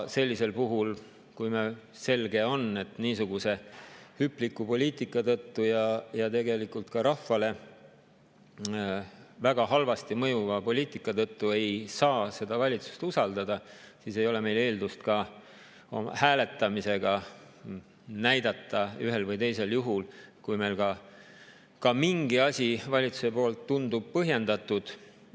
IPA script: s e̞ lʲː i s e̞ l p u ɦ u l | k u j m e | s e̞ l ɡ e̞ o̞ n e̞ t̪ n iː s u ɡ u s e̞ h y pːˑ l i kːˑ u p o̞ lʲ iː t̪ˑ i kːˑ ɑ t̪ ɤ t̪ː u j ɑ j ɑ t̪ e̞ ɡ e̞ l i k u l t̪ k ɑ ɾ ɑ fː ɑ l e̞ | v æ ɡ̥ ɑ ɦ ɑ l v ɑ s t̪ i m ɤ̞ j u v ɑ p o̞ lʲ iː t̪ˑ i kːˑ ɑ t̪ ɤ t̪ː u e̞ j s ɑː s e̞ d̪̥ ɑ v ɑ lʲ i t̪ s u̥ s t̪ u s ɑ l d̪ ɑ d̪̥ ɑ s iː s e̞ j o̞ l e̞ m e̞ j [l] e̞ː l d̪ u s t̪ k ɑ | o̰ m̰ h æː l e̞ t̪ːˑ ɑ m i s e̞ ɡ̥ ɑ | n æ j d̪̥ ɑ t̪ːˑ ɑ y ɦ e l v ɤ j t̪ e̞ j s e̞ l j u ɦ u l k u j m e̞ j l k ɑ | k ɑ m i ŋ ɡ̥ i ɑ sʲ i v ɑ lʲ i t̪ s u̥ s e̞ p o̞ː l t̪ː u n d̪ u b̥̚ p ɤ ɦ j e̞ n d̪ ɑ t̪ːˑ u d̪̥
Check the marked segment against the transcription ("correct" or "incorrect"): correct